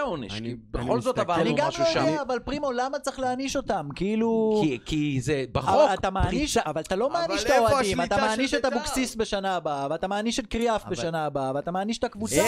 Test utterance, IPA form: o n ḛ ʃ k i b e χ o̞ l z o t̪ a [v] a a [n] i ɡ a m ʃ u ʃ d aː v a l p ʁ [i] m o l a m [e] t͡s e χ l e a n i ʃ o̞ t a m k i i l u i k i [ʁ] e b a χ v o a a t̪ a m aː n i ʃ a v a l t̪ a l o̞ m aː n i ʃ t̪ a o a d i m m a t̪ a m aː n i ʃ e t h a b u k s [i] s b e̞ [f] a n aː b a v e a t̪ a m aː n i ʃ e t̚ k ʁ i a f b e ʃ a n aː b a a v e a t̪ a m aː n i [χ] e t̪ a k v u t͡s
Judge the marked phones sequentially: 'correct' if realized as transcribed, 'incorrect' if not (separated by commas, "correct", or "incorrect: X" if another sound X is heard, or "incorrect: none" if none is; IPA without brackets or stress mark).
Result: correct, correct, correct, incorrect: a, incorrect: z, correct, incorrect: ʃ, incorrect: ʃ